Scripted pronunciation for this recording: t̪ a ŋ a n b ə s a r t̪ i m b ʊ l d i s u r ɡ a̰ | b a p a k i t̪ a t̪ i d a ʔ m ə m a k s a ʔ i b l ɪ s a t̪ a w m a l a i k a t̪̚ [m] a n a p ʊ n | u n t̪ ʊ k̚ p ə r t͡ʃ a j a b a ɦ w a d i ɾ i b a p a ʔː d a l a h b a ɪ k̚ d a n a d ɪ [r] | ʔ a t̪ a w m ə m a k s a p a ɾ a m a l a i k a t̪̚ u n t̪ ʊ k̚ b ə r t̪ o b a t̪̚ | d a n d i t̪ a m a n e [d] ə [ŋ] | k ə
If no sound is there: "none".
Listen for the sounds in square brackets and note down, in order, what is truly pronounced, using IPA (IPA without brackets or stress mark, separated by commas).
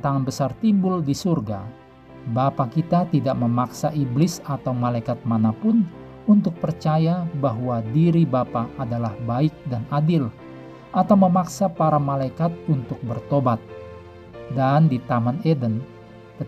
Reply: m, l, d, n